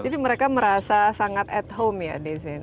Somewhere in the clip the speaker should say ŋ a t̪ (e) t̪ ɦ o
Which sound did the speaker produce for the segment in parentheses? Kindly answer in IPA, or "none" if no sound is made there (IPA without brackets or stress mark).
ɛ